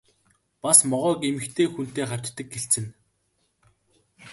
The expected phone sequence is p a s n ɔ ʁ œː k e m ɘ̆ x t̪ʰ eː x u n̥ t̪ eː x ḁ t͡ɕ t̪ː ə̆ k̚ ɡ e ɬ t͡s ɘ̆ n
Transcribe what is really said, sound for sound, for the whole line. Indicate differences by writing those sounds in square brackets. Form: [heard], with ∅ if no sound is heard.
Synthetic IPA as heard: p a s [m] ɔ ʁ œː k e m ɘ̆ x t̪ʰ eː x u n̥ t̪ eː [χ] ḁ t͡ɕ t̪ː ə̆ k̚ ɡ e ɬ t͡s ɘ̆ n